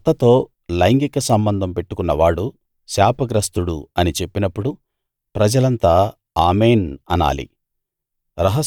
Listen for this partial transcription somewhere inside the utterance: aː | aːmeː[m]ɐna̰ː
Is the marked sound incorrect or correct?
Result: incorrect